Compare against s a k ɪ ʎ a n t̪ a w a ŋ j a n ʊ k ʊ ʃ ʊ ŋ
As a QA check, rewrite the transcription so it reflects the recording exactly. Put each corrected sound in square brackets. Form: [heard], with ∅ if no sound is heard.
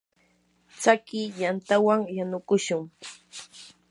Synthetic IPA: [t͡s] a k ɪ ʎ a n t̪ a w a ŋ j a n ʊ k ʊ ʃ ʊ ŋ

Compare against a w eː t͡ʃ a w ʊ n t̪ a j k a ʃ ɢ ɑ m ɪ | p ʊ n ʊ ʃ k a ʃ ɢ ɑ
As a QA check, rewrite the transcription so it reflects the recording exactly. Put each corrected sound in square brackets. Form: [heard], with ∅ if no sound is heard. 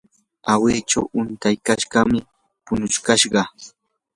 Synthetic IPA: a w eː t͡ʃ a w ʊ n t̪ a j k a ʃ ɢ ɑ m ɪ | p ʊ n ʊ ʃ k a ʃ ɢ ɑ

